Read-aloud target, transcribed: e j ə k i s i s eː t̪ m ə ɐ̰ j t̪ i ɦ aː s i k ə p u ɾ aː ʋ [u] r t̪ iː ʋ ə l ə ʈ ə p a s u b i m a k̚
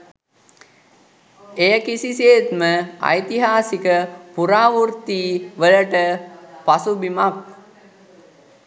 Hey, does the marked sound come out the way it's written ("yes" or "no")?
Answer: yes